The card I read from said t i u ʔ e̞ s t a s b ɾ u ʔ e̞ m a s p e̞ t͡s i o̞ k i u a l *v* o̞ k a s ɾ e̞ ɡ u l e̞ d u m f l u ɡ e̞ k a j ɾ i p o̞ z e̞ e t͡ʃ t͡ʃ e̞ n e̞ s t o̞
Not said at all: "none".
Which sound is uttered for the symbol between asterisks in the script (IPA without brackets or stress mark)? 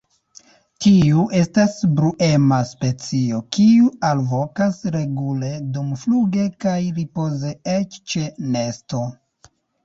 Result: v